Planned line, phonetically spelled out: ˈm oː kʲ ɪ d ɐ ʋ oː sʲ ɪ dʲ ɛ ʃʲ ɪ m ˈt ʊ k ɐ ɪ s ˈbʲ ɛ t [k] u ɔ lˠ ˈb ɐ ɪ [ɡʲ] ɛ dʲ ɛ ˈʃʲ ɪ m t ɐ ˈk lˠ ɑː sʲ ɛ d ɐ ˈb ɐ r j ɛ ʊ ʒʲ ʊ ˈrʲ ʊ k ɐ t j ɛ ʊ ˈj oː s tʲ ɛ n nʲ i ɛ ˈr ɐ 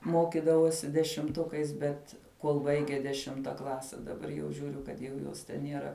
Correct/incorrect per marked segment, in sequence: correct, correct

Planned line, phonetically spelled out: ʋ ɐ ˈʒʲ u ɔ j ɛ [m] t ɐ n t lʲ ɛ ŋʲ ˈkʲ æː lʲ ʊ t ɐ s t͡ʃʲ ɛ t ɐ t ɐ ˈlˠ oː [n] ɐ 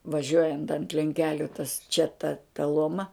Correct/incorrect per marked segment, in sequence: incorrect: n, incorrect: m

